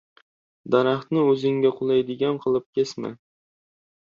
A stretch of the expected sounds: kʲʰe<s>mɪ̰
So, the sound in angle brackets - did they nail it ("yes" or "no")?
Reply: yes